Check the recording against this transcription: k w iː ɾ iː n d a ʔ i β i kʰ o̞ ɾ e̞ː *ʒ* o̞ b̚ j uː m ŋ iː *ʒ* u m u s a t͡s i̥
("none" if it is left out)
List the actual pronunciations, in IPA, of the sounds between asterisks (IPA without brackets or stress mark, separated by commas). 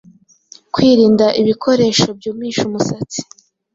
ʃ, ʃ